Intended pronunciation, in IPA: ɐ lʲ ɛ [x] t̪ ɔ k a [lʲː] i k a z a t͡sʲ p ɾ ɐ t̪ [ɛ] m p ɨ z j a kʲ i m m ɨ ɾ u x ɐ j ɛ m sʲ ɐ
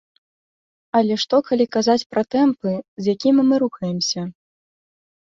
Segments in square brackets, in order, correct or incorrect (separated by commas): incorrect, incorrect, correct